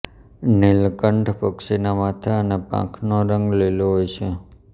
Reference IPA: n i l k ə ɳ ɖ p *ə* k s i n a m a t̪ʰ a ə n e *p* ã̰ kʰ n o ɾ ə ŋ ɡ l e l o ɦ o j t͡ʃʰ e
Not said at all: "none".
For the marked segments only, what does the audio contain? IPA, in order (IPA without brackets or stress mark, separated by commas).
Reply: ə, p